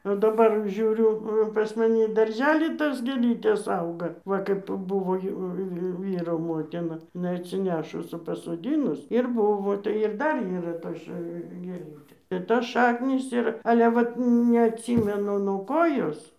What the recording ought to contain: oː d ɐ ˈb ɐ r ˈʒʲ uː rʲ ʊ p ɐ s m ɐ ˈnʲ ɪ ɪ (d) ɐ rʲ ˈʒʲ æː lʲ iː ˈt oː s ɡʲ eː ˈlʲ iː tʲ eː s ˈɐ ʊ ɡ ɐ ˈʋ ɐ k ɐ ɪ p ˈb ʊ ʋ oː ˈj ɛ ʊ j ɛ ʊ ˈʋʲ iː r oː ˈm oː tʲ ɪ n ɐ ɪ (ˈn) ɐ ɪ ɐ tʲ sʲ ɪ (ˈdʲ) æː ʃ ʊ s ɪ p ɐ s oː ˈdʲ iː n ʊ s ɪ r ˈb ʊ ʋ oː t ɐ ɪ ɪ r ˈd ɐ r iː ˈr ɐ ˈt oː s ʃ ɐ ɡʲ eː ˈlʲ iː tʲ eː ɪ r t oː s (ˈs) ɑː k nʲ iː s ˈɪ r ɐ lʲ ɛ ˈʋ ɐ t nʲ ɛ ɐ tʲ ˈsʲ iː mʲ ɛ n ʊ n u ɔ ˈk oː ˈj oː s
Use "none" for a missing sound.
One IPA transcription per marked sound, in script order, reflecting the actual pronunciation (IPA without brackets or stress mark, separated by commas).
d, n, nʲ, ʃ